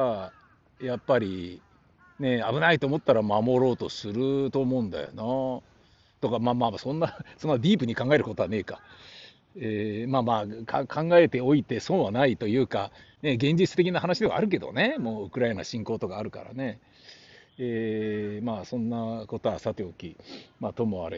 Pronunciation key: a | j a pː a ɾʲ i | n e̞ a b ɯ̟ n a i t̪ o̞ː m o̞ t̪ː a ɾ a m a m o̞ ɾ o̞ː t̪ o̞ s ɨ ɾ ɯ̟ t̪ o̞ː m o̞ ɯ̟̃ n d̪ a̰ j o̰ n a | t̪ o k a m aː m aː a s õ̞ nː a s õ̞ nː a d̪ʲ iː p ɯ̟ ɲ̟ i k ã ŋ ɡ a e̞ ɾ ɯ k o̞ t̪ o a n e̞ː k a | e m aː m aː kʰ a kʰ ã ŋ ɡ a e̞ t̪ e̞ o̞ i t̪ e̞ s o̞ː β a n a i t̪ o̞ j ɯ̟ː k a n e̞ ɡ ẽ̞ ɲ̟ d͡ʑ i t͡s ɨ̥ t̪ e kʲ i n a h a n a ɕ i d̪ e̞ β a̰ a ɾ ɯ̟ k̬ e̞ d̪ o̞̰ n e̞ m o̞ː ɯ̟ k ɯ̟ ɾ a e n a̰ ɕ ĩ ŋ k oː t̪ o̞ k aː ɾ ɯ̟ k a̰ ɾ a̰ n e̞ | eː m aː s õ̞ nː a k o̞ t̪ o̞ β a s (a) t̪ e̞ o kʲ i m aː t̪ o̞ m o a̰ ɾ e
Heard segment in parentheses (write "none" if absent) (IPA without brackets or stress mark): a